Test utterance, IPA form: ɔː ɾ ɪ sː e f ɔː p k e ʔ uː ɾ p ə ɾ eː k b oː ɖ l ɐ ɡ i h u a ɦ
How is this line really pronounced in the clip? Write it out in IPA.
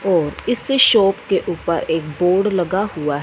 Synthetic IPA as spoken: ɔː ɾ ɪ sː e ʃ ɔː p k e ʔ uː p ə ɾ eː k b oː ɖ l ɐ ɡ a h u a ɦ